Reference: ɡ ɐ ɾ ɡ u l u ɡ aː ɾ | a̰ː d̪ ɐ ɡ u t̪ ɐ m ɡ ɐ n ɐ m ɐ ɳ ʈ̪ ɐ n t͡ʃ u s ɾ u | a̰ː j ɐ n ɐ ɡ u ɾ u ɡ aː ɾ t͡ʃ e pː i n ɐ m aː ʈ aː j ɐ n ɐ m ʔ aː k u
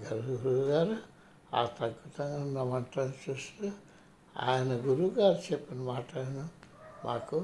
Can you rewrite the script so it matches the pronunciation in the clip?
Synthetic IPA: ɡ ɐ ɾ ɡ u ɾ u ɡ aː ɾ | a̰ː t̪ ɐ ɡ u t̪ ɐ ŋ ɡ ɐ n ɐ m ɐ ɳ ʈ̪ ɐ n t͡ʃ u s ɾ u | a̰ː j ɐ n ɐ ɡ u ɾ u ɡ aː ɾ t͡ʃ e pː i n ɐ m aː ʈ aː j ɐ n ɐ m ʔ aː k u